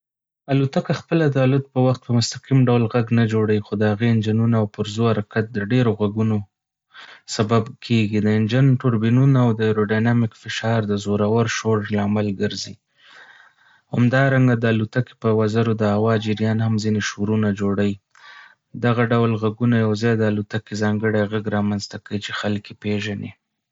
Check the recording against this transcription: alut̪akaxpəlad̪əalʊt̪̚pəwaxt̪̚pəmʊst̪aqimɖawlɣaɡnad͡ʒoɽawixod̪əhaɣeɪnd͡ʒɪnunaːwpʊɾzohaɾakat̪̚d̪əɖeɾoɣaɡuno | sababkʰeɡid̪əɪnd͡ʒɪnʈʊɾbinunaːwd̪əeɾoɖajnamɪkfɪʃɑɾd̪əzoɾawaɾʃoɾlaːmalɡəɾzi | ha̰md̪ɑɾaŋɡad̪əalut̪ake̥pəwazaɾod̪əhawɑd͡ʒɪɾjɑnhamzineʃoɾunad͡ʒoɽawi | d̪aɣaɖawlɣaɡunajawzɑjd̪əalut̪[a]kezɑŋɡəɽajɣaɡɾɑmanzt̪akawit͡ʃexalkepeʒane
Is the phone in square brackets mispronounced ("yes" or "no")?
no